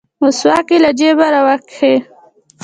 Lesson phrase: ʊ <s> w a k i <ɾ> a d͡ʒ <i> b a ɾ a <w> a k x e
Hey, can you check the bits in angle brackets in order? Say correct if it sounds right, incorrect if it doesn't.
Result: correct, incorrect: l, incorrect: e, correct

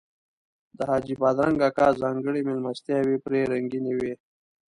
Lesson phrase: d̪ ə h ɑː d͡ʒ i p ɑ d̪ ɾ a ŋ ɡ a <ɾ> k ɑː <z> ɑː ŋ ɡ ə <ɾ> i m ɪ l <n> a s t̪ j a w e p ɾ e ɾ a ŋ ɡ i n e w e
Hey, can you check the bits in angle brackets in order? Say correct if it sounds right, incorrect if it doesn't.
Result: incorrect: none, correct, incorrect: ɽ, incorrect: m

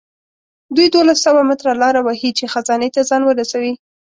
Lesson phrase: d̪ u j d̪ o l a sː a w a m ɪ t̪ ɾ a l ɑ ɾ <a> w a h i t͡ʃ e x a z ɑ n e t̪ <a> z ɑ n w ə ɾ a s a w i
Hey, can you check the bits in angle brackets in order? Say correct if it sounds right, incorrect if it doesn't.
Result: correct, correct

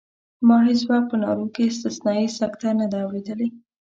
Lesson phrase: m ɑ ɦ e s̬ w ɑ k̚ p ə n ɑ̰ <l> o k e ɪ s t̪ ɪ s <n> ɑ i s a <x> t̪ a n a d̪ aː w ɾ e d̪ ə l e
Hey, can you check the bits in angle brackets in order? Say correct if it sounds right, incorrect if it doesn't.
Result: incorrect: ɾ, correct, incorrect: k

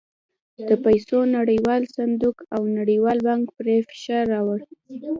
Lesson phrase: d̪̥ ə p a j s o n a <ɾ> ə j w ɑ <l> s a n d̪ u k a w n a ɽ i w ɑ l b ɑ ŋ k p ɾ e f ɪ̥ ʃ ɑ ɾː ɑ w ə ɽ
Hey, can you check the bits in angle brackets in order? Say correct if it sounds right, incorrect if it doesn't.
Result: incorrect: ɽ, correct

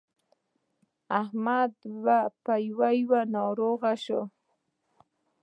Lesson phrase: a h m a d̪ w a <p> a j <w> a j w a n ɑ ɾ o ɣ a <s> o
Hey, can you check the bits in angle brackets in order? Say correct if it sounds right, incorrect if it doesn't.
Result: correct, correct, incorrect: ʃ

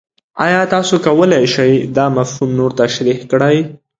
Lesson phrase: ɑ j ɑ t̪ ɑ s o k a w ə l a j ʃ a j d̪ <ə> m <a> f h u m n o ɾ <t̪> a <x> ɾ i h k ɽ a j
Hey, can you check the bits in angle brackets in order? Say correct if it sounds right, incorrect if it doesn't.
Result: incorrect: ɑ, correct, correct, incorrect: ʃ

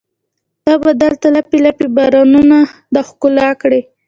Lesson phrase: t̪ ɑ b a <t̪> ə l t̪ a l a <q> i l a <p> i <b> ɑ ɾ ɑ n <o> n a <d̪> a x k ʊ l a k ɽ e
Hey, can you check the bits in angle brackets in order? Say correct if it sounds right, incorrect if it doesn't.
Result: incorrect: d̪, incorrect: p, correct, correct, incorrect: u, correct

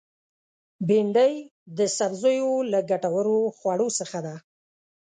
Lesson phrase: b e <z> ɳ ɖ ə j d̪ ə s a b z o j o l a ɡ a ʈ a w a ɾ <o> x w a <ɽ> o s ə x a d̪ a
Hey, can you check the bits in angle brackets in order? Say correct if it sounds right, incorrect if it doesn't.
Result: incorrect: none, correct, correct

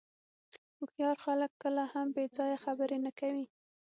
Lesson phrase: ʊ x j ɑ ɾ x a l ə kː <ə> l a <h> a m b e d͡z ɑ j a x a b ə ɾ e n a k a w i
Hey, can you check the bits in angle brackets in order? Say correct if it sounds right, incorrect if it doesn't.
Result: correct, correct

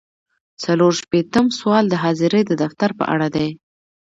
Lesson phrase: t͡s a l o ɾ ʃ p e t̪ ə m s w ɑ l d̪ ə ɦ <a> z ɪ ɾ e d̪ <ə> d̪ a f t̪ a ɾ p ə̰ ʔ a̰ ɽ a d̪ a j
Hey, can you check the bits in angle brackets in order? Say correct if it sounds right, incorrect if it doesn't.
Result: incorrect: ɑ, correct

